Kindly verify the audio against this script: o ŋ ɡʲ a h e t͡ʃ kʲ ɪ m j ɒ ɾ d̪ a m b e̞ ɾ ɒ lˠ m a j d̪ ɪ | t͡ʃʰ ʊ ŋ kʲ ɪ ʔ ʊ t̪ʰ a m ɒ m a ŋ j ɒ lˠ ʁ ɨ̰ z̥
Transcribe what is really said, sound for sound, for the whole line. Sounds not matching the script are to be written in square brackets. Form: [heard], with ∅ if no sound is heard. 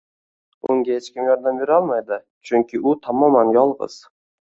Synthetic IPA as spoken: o ŋ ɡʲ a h e t͡ʃ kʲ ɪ m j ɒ ɾ d̪ a m b e̞ ɾ ɒ lˠ m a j d̪ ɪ | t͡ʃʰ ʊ ŋ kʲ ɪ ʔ ʊ t̪ʰ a m ɒ m a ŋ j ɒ lˠ ʁ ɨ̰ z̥